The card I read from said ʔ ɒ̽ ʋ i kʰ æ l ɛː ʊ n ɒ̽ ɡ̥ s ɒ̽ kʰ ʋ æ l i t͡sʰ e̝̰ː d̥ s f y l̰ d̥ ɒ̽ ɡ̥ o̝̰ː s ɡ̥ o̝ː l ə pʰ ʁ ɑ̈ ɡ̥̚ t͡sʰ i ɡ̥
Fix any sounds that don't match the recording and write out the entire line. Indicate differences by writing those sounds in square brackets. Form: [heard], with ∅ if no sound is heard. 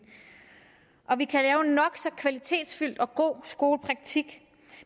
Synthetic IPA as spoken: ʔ ɒ̽ ʋ i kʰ æ l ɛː ʊ n ɒ̽ ɡ̥ s ɒ̽ kʰ ʋ æ l i t͡sʰ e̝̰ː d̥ s f y l̰ d̥ ɒ̽ ɡ̥ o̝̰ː s ɡ̥ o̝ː l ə pʰ ʁ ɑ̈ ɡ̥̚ t͡sʰ i ɡ̥